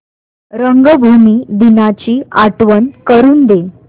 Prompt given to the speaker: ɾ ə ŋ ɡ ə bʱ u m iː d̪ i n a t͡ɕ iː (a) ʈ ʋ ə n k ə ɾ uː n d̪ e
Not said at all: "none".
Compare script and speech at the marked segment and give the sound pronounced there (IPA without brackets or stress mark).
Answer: a